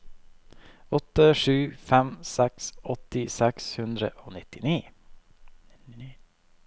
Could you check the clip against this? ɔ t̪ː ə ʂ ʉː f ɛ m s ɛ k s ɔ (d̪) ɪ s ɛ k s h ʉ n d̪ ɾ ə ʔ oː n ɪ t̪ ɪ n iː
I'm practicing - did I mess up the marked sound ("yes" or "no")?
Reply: yes